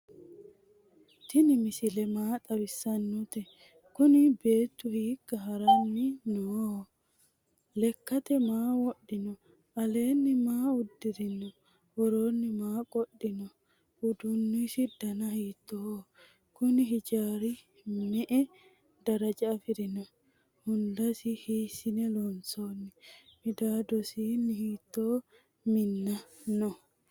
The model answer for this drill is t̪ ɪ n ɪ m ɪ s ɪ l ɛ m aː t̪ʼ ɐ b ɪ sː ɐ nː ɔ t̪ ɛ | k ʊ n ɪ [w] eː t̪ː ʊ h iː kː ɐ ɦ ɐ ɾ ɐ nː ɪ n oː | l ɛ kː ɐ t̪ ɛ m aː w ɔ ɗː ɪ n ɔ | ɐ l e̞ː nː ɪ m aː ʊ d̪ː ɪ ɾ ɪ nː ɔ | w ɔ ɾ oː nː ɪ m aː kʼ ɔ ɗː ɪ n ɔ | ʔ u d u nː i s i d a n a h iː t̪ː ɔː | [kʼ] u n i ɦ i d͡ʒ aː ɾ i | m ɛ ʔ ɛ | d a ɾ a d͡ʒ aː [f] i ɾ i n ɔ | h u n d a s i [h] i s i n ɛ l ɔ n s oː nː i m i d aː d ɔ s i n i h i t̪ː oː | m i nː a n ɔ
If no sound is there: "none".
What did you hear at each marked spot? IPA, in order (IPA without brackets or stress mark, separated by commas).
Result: b, k, f, h